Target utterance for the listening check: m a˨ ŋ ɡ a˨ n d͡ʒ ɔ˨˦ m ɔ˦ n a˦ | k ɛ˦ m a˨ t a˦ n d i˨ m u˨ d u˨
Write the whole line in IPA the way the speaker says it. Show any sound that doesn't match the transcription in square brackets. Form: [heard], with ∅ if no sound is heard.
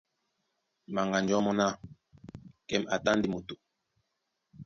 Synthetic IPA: m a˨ ŋ ɡ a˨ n d͡ʒ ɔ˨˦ m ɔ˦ n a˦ | k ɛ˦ m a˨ t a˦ n d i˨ m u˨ [t] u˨